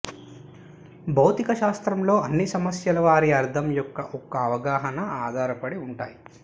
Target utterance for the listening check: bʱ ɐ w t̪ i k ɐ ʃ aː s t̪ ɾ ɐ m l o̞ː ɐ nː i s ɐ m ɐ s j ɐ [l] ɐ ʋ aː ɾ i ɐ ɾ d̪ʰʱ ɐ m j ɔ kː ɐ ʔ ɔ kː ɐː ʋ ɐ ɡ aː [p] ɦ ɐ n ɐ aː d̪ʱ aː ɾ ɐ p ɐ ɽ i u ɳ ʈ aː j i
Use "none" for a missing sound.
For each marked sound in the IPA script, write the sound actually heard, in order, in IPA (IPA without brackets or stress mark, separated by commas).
l, none